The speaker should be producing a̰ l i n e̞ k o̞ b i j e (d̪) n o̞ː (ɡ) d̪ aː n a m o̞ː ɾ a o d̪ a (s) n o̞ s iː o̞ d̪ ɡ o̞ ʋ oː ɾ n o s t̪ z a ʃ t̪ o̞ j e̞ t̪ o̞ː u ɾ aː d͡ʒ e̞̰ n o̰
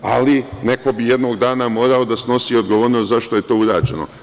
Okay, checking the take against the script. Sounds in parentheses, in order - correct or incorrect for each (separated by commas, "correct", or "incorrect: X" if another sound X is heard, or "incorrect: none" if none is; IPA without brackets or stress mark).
correct, correct, correct